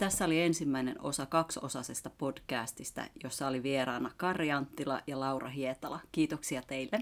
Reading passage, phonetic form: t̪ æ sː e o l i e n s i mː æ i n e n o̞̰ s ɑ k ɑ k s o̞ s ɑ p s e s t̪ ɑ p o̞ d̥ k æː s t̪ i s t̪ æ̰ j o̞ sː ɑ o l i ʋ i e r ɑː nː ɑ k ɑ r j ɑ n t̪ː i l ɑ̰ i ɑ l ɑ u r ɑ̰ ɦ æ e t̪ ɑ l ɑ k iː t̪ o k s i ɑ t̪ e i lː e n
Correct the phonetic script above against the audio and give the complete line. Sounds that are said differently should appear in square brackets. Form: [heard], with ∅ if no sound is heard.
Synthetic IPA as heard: t̪ æ sː [æ] o l i e n s i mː æ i n e n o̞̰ s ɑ k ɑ k s o̞ s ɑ [∅] s e s t̪ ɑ p o̞ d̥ k æː s t̪ i s t̪ æ̰ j o̞ sː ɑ o l i ʋ i e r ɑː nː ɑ k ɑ r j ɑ n t̪ː i l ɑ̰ [j] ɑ l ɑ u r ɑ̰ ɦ [i] e t̪ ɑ l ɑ k iː t̪ o k s i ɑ t̪ e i lː e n